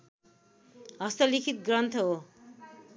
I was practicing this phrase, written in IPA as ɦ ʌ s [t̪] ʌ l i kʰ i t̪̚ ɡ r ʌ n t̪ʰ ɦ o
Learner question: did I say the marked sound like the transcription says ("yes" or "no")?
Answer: yes